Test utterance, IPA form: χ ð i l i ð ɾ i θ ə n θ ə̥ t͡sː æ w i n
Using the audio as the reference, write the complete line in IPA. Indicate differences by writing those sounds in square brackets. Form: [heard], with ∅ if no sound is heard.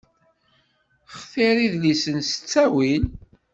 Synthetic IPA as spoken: χ [θ] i [ɾ] i ð [l] i [s] ə n [s] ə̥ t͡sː æ w i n